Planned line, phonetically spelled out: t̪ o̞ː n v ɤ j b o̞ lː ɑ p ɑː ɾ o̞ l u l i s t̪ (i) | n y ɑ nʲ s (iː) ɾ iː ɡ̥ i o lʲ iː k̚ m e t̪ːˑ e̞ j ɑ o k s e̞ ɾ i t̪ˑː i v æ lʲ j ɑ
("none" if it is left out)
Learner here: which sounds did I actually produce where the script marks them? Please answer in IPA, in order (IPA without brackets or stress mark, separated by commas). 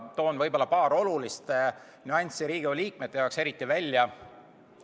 e, i